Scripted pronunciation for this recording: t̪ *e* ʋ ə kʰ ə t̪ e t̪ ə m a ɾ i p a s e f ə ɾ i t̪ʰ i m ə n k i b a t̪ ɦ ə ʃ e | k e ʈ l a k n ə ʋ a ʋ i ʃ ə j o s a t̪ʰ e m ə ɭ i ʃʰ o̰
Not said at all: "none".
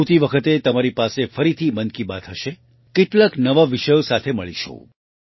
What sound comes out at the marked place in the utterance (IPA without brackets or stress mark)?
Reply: i